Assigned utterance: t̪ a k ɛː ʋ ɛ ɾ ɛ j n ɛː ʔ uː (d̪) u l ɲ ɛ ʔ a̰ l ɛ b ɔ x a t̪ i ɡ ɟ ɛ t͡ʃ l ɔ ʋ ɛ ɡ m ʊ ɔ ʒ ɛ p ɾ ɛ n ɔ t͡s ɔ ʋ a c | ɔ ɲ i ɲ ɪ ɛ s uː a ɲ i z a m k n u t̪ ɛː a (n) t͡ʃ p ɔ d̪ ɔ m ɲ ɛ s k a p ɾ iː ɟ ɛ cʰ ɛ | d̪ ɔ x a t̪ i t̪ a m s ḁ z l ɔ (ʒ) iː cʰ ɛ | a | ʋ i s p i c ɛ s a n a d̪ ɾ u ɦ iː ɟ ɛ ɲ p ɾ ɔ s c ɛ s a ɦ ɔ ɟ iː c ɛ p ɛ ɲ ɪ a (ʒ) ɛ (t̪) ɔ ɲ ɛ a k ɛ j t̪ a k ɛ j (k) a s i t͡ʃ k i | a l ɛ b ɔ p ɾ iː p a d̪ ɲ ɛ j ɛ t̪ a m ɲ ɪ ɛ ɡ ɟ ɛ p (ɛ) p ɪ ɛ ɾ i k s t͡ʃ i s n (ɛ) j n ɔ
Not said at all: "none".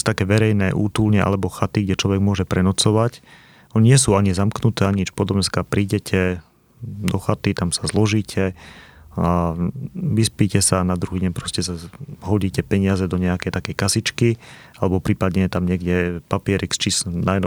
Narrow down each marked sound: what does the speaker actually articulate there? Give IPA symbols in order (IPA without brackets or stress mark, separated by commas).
t̪, ɲ, ʒ, z, d̪, k, a, a